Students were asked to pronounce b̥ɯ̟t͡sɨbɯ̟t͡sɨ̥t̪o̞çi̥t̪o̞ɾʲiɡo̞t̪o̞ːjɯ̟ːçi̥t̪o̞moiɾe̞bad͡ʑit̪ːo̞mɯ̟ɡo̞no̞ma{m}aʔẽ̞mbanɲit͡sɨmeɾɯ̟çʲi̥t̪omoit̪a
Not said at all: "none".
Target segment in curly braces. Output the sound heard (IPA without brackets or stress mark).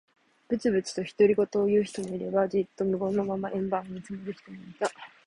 m